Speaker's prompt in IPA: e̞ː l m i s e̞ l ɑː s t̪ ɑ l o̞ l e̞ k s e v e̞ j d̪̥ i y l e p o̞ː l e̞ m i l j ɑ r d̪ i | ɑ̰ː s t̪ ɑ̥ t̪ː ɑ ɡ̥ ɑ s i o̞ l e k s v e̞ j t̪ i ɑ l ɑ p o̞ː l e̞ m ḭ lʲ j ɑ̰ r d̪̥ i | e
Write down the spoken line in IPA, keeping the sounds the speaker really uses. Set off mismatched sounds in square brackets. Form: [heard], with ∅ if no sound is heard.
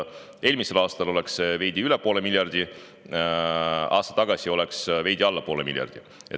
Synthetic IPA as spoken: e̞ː l m i s e̞ l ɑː s t̪ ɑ l o̞ l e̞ k s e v e̞ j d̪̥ i y l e p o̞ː l e̞ m i l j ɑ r d̪ i | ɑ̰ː s t̪ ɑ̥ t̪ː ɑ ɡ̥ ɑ s i o̞ l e k s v e̞ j [d̪] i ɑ [lː] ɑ p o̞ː l e̞ m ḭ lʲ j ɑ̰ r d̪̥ i | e